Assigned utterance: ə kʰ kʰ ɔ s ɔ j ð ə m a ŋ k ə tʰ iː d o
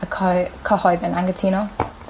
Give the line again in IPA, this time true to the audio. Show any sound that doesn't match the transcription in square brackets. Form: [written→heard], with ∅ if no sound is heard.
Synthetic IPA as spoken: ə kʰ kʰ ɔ [s→h] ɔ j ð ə [m→n] a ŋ [k→ɡ] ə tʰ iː [d→n] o